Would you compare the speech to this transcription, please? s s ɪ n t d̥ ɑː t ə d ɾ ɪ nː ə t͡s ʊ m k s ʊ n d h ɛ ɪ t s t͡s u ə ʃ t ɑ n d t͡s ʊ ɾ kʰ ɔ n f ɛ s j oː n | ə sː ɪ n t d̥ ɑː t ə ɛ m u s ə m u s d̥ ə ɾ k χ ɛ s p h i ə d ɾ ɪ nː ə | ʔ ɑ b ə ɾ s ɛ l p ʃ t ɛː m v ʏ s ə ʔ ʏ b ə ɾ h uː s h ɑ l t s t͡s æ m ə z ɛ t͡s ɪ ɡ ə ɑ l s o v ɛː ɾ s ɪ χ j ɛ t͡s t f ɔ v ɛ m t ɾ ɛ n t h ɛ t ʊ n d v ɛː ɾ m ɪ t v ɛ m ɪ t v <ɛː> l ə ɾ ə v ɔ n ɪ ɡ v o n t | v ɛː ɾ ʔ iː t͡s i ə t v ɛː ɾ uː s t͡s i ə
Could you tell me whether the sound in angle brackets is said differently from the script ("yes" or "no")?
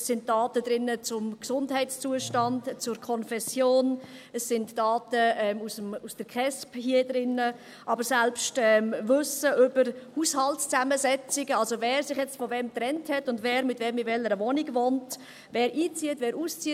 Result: yes